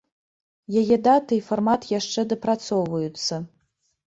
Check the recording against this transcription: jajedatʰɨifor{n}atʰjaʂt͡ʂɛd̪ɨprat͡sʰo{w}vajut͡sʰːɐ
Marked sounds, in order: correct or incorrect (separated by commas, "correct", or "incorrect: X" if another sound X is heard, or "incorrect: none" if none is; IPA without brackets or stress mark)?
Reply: incorrect: m, correct